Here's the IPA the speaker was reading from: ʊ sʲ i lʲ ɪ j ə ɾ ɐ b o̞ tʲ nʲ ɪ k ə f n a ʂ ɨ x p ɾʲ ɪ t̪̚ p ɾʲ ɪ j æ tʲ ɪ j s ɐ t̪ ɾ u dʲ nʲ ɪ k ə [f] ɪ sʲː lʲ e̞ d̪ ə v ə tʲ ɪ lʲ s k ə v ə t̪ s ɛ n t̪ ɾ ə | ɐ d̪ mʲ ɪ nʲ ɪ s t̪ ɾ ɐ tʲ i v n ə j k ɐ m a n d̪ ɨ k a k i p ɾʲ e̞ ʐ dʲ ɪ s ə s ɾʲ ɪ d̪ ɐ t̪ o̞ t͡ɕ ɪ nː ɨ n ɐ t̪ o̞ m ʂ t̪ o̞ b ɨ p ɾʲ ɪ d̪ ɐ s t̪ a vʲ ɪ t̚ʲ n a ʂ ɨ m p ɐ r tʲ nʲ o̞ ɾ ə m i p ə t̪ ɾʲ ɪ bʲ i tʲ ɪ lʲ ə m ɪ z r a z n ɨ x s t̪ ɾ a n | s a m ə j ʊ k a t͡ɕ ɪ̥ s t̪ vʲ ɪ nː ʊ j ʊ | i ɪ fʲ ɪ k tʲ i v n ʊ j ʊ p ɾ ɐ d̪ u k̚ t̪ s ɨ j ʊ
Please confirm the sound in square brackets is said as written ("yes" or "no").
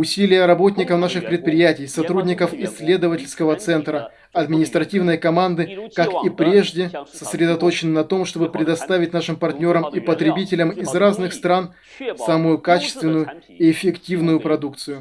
yes